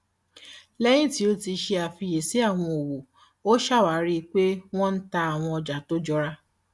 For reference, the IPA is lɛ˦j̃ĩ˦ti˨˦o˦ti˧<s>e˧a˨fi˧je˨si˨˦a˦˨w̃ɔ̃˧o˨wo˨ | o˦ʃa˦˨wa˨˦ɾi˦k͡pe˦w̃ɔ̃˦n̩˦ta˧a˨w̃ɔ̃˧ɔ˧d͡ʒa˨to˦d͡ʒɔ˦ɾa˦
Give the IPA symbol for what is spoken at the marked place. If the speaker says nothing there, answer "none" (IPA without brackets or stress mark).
ʃ